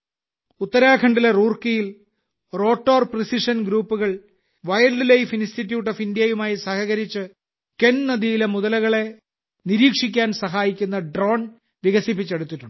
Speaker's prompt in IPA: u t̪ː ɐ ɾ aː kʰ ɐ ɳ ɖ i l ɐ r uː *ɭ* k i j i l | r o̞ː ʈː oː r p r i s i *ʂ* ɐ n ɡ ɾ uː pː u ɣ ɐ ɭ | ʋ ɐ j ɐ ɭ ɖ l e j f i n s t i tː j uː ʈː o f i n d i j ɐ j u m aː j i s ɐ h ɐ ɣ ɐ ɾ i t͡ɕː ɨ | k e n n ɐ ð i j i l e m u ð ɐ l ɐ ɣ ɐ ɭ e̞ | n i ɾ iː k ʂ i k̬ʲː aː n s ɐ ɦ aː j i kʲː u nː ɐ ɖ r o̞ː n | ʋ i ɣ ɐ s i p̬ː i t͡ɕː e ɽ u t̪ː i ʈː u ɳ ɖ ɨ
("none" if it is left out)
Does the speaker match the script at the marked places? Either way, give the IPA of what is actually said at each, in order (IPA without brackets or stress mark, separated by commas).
r, ʂ